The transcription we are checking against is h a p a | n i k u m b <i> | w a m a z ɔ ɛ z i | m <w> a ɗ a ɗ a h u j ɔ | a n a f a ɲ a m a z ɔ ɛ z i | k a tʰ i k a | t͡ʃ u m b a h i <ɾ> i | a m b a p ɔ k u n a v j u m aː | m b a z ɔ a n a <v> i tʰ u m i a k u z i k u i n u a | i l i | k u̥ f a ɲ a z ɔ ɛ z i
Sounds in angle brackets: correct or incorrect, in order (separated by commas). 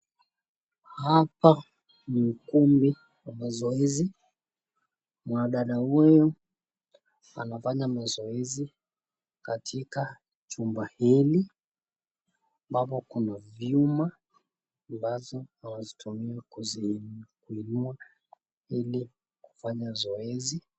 correct, correct, incorrect, incorrect